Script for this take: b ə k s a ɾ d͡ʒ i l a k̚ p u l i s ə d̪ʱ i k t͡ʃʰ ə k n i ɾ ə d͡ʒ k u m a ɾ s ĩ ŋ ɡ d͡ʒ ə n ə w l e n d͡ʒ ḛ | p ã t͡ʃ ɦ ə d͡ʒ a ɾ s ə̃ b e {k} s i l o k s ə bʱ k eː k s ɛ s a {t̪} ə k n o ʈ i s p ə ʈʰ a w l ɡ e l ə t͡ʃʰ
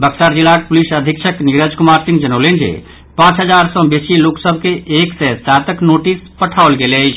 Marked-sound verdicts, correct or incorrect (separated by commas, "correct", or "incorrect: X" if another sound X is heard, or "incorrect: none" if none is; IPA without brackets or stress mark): incorrect: none, correct